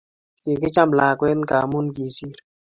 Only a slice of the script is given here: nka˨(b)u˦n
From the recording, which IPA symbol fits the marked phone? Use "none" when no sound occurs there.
m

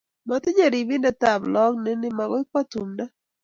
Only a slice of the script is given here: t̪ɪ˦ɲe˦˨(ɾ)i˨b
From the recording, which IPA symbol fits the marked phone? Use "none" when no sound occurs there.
ɾ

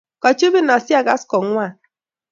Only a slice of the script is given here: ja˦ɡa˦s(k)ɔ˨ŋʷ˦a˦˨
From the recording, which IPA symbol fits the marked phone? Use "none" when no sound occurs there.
k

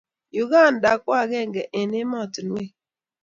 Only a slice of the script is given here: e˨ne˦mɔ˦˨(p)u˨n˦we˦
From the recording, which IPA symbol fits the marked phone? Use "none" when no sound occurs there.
t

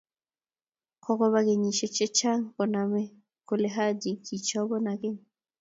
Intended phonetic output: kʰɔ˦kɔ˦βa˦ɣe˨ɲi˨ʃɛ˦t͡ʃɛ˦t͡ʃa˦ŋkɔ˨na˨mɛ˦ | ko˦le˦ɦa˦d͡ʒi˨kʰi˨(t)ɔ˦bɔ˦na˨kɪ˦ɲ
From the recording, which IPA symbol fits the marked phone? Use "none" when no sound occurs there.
t͡ʃ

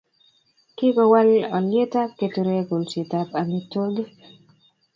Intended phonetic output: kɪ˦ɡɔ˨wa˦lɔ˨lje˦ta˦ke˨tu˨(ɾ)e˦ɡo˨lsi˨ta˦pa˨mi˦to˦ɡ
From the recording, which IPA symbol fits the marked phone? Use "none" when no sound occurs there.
ɾ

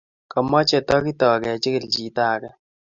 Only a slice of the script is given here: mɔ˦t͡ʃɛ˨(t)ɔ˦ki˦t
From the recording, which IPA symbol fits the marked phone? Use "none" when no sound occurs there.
t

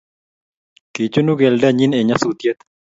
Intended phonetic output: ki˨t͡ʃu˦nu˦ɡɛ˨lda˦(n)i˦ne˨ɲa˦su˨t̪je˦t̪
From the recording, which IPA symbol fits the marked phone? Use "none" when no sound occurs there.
ɲ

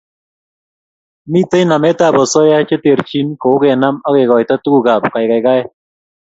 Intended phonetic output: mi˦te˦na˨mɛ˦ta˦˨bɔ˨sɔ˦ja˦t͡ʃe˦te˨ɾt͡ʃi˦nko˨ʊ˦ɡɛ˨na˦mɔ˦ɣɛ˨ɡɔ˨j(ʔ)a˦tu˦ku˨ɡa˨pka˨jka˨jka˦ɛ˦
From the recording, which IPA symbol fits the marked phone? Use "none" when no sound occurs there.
t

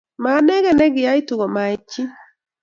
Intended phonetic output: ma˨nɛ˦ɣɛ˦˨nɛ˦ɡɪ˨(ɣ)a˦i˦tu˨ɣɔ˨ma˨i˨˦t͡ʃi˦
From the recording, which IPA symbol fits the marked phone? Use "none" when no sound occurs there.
none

